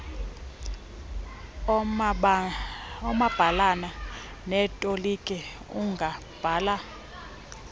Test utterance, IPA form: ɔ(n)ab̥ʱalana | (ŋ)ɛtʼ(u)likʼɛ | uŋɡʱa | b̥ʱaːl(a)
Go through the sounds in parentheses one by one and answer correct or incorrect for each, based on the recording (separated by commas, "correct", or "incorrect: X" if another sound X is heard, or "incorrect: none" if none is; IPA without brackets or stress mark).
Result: incorrect: m, incorrect: n, incorrect: o, correct